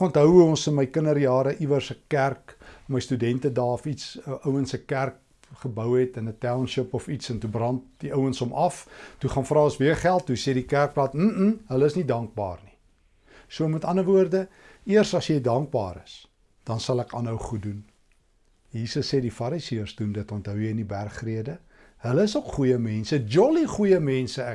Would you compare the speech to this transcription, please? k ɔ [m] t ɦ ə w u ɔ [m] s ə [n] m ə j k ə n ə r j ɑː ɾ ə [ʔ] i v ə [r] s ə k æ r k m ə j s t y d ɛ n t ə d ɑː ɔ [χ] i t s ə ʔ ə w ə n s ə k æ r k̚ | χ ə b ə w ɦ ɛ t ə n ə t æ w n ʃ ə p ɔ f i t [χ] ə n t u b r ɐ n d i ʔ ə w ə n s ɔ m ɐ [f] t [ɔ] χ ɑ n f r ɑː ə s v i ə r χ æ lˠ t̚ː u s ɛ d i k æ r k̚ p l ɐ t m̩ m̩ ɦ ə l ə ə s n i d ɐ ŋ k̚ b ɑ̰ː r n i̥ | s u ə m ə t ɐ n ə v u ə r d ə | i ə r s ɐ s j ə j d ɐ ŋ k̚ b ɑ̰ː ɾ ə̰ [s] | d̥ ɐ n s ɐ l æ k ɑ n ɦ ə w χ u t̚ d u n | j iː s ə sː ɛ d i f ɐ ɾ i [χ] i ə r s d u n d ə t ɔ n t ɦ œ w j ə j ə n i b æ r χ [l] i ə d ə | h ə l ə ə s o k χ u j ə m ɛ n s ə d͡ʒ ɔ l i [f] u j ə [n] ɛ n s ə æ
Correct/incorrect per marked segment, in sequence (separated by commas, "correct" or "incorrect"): incorrect, incorrect, correct, correct, correct, incorrect, incorrect, correct, incorrect, correct, incorrect, incorrect, incorrect, incorrect